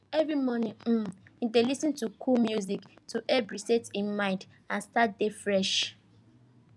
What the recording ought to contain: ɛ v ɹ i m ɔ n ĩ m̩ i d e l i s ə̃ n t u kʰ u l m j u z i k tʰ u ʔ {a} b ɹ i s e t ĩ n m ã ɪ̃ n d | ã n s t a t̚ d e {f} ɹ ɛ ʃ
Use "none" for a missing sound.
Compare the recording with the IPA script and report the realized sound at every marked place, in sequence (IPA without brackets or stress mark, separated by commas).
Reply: ɛ, f